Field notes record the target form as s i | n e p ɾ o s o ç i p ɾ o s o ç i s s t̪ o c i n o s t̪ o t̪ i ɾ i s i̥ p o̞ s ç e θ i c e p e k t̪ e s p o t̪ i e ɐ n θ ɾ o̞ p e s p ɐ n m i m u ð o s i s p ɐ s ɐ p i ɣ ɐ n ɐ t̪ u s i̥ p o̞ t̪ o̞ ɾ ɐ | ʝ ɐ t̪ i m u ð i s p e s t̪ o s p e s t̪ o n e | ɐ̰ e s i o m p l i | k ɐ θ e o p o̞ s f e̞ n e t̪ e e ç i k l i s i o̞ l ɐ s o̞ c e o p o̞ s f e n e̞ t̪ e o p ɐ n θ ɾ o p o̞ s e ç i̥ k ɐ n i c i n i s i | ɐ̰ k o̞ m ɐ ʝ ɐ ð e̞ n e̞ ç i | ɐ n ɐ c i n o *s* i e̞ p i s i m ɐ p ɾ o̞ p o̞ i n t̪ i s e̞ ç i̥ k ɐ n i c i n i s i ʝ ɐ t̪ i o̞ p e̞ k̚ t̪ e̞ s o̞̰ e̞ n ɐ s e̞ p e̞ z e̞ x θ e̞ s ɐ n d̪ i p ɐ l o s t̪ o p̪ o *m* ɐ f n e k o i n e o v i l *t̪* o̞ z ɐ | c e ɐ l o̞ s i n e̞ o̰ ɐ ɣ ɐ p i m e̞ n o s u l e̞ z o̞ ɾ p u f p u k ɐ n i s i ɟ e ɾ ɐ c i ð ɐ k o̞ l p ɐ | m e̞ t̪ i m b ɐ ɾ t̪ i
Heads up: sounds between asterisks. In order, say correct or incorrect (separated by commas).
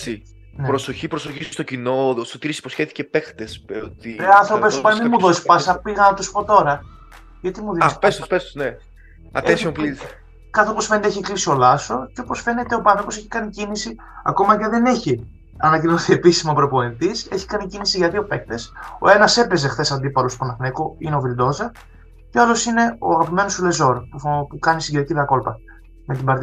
incorrect, incorrect, incorrect